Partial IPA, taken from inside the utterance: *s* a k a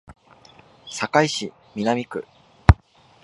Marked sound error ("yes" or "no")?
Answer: no